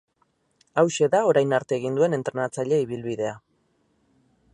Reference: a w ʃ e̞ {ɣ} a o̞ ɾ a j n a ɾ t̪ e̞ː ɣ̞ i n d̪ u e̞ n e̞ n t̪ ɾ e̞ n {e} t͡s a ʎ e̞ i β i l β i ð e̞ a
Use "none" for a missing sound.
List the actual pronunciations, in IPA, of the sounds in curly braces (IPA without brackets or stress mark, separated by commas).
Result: ð, a